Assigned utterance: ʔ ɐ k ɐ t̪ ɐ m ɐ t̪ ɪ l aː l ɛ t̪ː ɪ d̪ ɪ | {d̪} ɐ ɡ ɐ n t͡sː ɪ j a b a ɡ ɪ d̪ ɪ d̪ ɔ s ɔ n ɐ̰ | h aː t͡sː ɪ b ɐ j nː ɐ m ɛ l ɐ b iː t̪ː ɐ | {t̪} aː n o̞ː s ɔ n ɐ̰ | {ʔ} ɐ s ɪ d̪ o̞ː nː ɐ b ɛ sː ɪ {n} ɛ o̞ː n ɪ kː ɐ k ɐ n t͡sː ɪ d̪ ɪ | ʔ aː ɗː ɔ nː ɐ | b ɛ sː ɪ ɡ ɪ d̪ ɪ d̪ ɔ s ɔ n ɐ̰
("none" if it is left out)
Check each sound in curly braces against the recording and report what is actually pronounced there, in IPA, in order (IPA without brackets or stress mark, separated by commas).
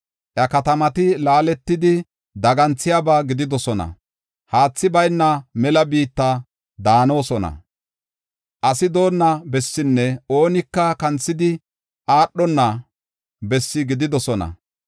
d̪, d̪, ʔ, nː